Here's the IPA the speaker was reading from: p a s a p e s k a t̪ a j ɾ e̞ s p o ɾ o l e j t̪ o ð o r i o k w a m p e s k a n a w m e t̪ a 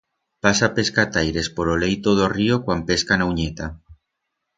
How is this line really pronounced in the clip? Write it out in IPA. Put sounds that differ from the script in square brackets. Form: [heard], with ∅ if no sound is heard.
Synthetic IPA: p a s a p e s k a t̪ a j ɾ e̞ s p o ɾ o l e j t̪ o ð o r i o k w a m p e s k a n a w [ɲ] e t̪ a